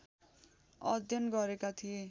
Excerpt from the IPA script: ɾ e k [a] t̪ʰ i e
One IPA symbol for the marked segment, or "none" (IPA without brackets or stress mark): a